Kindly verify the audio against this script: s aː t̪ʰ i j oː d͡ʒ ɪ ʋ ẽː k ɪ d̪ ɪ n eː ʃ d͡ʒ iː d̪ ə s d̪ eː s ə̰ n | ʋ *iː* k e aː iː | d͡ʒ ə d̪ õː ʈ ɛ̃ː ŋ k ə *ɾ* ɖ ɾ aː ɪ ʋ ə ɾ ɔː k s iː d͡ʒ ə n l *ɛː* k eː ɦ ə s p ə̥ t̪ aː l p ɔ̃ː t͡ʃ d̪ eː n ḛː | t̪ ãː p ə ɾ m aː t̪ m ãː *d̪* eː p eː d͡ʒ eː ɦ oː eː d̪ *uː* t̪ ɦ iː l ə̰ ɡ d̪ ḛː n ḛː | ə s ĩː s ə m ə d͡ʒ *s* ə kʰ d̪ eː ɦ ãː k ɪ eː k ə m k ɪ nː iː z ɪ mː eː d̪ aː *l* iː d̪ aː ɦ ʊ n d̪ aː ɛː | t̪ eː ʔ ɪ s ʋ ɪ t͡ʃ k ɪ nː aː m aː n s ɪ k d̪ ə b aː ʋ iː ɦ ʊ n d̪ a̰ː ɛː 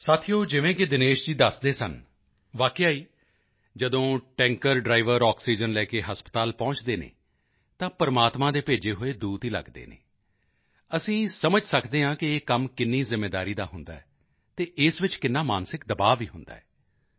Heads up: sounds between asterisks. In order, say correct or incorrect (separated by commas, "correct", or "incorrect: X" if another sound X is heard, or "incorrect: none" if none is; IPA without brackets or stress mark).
incorrect: aː, correct, correct, correct, correct, correct, incorrect: ɾ